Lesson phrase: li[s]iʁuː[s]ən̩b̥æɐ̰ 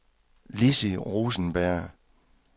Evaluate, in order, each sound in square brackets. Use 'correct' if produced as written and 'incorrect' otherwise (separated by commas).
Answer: correct, correct